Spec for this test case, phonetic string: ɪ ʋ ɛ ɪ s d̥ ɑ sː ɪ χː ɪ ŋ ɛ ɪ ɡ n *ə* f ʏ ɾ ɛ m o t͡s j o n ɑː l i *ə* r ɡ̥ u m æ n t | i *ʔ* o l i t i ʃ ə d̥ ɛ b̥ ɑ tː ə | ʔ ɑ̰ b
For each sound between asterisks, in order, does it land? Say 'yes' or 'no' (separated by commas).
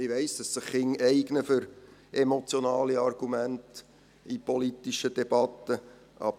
yes, no, no